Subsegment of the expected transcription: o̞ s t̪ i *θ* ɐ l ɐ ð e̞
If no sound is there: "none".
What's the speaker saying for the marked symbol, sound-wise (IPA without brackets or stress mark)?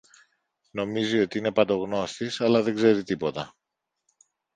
s